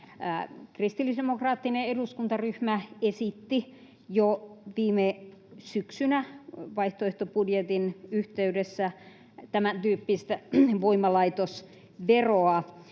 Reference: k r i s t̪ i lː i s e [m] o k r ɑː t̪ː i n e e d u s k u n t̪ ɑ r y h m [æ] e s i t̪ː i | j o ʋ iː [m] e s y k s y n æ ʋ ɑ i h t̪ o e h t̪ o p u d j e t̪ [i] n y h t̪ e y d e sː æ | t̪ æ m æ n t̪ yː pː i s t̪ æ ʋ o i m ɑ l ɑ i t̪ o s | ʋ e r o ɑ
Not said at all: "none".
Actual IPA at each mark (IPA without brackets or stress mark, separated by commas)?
m, æ, m, i